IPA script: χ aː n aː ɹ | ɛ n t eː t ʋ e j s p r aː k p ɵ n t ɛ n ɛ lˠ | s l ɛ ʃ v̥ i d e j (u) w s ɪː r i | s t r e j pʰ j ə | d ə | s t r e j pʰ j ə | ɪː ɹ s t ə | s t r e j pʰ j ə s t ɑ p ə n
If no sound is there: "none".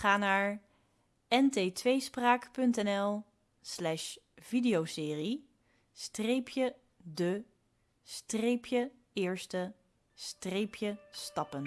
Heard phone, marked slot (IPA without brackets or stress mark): o